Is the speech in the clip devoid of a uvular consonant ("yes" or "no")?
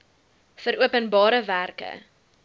yes